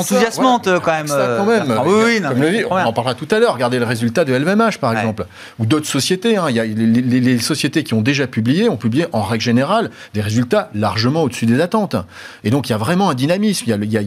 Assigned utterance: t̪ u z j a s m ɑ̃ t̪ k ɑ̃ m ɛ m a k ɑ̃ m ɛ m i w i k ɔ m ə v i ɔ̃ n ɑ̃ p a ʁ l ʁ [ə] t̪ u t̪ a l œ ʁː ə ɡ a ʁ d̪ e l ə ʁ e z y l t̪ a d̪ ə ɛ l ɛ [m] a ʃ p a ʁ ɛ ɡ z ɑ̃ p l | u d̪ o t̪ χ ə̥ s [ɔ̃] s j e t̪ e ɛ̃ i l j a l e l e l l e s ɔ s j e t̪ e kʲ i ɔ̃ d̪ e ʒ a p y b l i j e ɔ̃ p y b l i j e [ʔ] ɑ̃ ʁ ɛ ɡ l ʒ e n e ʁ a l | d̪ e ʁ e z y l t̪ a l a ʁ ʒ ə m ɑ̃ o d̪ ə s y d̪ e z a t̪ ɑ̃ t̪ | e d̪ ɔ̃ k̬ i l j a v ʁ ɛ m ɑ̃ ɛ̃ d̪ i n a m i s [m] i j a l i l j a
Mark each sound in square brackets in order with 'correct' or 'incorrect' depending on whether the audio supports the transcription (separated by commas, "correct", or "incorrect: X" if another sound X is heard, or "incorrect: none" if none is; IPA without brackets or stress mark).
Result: incorrect: a, correct, incorrect: ɔ, correct, correct